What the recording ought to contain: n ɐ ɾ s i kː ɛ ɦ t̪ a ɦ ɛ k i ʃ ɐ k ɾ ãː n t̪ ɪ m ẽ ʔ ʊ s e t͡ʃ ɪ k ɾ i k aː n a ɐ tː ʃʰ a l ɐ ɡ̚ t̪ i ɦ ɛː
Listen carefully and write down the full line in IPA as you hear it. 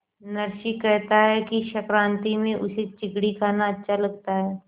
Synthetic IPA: n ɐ ɾ ʃ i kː ɛ ɦ t̪ a ɦ ɛ k i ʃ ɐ k ɾ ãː n t̪ i m ẽ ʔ ʊ s e t͡ʃ ɪ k ɽ i k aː n a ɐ tː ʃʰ a l ɐ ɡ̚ t̪ a ɦ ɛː